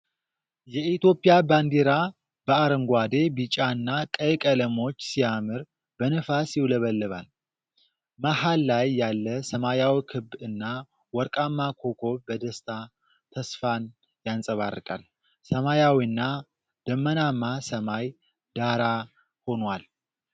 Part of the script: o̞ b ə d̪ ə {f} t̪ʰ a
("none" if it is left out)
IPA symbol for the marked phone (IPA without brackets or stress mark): s